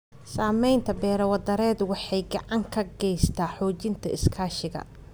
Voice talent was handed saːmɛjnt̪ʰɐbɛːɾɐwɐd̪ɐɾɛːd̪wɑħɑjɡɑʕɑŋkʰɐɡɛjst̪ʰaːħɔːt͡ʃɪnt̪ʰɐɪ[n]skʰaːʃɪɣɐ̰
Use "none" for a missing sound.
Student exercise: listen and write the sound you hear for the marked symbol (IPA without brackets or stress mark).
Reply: none